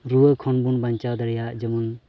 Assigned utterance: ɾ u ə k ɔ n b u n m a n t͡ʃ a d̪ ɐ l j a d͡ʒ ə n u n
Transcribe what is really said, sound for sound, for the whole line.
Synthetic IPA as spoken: ɾ u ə kʰ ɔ n b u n b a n t͡ʃ a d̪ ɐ ɾ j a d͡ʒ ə m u n